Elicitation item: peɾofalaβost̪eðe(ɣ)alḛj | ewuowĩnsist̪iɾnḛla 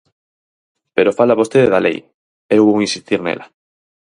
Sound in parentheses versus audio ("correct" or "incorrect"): incorrect